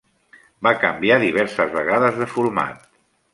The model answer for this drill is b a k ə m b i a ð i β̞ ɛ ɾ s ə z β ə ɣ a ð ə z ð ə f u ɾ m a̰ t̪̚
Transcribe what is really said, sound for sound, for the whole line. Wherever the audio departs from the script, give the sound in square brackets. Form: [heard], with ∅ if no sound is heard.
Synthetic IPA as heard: b a k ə m b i a ð i β̞ ɛ ɾ s ə z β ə ɣ a ð ə z ð ə f u ɾ m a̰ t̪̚